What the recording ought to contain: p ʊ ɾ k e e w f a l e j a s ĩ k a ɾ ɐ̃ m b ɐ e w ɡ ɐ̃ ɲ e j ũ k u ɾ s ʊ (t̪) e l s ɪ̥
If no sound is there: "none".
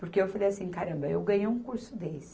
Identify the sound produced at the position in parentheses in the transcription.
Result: d̪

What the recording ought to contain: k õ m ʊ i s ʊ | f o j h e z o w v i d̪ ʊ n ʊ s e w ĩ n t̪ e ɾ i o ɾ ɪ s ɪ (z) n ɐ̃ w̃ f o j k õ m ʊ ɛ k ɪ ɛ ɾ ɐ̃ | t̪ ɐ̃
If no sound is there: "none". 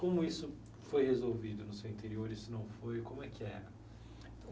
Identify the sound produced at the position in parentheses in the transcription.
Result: none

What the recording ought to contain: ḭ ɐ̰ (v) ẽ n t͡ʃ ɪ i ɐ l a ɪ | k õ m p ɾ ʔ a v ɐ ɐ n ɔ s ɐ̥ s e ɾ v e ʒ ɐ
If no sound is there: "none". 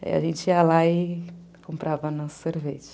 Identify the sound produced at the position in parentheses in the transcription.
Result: ʒ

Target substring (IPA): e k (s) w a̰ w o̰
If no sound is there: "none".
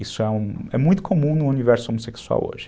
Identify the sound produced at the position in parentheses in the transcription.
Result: s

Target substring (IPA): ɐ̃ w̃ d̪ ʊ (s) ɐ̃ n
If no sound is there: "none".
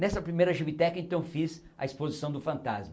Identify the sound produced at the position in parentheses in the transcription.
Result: f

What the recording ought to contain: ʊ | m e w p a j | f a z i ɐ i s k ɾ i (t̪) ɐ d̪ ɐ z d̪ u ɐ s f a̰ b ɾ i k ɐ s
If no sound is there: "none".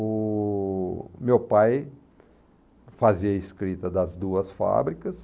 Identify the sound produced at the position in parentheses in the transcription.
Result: t̪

